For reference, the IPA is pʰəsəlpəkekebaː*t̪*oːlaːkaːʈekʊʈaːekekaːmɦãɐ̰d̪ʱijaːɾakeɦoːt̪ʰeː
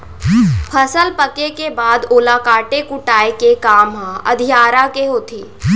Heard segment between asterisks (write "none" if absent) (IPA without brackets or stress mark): d̪